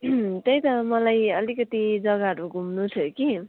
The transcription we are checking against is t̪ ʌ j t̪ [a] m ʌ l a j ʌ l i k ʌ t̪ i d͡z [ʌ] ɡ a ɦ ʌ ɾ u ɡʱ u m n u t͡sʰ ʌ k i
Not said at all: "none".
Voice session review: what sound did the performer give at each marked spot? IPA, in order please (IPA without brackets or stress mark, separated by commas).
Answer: ʌ, ʌ